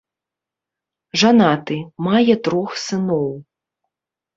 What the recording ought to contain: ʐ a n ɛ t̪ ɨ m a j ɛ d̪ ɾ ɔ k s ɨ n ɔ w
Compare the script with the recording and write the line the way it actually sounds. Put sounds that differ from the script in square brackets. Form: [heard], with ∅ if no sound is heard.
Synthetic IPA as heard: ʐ a n [a] t̪ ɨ m a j ɛ [t̪] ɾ ɔ [x] s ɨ n ɔ w